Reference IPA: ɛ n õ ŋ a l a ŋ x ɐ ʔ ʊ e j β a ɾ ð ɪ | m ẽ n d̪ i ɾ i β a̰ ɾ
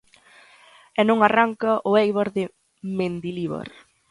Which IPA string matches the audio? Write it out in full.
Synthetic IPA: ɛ n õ ŋ a r a ŋ k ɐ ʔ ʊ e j β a ɾ ð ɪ | m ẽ n d̪ i l i β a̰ ɾ